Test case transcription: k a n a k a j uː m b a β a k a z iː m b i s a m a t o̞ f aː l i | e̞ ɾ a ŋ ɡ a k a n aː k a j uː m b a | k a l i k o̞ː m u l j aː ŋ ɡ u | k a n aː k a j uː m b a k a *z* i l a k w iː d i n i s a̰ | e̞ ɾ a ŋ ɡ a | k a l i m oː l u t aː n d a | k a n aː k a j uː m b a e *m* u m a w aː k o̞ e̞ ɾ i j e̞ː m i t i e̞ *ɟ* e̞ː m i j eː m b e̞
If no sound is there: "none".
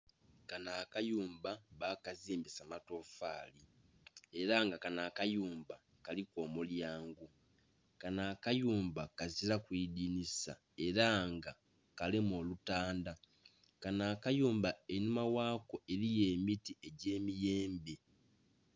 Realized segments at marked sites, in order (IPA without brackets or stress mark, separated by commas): z, n, ɟ